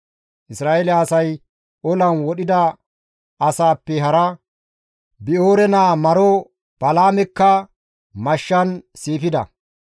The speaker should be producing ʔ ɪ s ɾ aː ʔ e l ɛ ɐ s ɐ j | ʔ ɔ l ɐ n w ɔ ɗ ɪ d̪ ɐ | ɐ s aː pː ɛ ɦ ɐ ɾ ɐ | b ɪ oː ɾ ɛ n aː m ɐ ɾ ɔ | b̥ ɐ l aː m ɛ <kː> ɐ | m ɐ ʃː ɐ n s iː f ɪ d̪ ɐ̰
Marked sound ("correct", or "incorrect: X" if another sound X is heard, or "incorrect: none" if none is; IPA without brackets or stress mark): correct